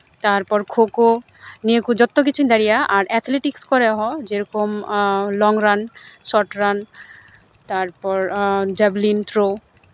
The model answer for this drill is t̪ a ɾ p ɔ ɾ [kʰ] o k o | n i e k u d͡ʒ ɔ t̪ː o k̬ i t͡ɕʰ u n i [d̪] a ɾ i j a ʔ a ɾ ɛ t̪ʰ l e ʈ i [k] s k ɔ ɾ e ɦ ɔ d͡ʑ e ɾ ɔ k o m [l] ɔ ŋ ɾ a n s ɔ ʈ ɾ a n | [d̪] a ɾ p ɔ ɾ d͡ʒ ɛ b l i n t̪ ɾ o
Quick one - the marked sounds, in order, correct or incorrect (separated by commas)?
correct, correct, correct, correct, incorrect